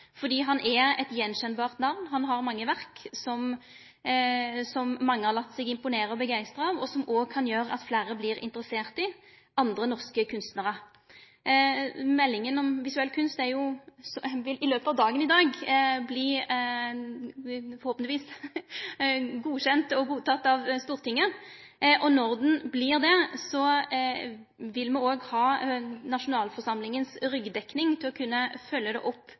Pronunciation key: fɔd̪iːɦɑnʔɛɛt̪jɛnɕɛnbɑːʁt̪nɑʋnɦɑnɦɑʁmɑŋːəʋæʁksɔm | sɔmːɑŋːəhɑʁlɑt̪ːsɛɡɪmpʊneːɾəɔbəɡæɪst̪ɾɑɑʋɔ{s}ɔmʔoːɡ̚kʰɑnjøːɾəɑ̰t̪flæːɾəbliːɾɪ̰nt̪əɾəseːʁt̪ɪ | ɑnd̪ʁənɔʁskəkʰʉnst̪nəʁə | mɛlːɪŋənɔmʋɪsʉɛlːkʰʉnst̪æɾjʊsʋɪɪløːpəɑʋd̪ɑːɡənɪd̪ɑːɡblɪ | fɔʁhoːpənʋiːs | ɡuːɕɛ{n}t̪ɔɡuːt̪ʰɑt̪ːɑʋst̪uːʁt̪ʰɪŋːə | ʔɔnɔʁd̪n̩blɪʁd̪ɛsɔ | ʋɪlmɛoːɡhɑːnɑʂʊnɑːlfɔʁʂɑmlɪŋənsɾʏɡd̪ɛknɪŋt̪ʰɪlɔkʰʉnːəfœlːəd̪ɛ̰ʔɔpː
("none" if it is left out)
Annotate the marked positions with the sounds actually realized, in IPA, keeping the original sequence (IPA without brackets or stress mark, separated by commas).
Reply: s, n